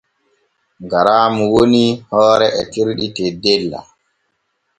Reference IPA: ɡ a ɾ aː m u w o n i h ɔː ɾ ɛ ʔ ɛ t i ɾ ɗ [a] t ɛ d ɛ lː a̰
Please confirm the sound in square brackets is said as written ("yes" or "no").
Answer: no